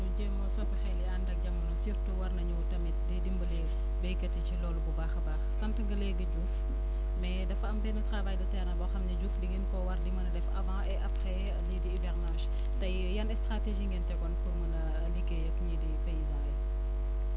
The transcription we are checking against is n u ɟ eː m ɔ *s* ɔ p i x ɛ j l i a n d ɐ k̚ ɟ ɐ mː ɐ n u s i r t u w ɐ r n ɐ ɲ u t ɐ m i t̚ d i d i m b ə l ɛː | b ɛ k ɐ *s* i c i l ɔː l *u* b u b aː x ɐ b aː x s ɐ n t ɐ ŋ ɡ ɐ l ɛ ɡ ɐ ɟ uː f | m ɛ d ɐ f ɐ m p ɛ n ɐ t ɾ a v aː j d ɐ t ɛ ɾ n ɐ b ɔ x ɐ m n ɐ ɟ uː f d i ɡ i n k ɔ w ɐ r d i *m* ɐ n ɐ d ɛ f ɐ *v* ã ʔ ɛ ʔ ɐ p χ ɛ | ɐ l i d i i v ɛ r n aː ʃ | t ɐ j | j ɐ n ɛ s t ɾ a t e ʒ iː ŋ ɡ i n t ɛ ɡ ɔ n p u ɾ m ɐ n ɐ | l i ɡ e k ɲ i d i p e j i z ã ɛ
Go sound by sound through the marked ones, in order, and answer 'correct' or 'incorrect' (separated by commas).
correct, incorrect, correct, correct, correct